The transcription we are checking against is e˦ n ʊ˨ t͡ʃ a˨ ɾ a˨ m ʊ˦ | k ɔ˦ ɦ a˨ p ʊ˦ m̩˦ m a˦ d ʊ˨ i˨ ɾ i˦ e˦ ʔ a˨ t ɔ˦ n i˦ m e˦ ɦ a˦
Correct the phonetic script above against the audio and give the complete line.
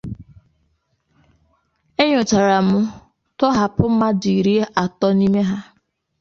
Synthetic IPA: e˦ ɲ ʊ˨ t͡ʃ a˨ ɾ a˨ m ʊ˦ | t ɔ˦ ɦ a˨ p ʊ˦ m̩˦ m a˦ d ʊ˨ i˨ ɾ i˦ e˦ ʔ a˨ t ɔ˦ n i˦ m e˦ ɦ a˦